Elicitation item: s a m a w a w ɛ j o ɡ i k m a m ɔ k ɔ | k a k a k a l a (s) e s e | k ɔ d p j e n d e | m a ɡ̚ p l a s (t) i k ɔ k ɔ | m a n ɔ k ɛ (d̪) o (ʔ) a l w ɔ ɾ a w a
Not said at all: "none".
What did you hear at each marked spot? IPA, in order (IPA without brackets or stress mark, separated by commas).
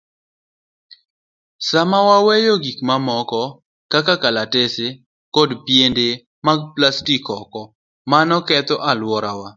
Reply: t, t, t̪, ʔ